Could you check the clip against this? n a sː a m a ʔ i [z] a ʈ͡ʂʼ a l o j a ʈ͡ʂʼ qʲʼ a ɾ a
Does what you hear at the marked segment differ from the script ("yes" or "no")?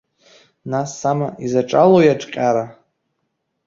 no